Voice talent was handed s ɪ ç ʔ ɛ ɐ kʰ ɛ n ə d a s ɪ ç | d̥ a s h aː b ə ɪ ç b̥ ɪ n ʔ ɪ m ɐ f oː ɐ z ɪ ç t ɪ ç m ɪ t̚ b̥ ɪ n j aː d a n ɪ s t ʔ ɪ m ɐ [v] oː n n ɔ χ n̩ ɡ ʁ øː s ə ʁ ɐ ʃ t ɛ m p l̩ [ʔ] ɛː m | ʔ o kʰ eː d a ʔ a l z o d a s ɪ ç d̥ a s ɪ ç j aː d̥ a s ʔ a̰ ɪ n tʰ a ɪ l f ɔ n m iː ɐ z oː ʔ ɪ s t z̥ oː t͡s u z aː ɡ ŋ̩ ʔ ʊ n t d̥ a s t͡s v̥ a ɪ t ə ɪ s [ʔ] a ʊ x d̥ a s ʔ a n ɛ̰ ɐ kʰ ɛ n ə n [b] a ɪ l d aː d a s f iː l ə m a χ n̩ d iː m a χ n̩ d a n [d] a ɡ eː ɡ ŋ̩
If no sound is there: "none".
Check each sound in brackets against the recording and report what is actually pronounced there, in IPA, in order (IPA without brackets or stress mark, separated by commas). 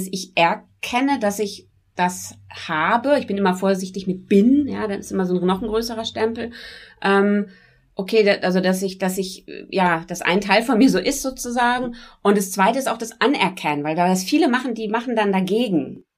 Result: z, ʔ, t, v, d